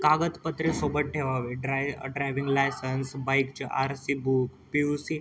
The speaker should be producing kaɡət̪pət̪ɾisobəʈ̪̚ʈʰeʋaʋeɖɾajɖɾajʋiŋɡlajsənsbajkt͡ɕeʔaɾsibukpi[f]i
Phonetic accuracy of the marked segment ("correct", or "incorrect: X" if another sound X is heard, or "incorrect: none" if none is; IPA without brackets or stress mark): incorrect: s